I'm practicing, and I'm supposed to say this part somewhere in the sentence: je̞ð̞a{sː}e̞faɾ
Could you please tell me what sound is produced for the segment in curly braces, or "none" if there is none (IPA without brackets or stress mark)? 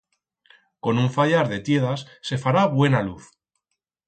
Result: sː